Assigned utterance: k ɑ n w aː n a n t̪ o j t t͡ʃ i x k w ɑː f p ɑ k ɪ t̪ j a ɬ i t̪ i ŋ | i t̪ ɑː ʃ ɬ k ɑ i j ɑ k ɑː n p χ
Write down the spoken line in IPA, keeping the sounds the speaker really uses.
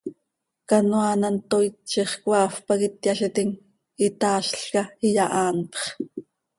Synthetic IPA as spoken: k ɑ n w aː n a n t̪ o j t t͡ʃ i χ k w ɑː f p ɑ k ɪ t̪ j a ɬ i t̪ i ŋ | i t̪ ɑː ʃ ɬ k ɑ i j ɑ ʔ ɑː n p χ